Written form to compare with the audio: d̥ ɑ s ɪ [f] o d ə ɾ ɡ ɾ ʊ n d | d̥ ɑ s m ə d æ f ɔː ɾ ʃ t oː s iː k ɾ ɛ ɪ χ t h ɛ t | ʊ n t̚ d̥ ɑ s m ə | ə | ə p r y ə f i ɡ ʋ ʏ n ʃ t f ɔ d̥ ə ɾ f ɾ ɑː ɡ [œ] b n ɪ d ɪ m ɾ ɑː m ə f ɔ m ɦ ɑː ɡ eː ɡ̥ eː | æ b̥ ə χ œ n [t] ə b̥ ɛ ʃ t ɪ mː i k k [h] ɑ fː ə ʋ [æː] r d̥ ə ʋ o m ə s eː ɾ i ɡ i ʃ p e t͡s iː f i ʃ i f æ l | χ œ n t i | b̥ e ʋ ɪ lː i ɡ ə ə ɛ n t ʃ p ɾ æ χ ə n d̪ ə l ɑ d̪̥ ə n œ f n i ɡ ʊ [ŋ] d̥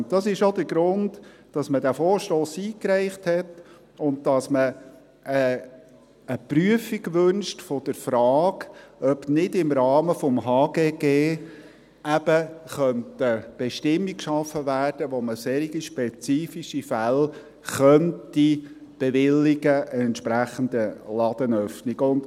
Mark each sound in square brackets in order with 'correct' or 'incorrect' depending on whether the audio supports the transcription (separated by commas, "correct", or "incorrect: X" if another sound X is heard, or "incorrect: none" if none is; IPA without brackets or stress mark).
incorrect: ʃ, correct, correct, incorrect: ʃ, correct, incorrect: n